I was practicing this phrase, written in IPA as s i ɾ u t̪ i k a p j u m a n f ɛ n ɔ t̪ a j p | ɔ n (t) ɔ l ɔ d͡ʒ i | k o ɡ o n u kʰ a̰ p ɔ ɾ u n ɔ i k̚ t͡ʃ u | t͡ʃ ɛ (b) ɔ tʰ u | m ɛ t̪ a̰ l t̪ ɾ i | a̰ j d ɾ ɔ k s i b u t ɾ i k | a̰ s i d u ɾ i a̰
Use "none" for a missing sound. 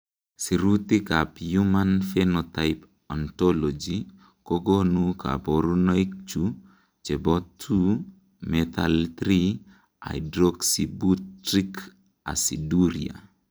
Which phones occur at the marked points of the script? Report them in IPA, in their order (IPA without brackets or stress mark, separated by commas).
t, b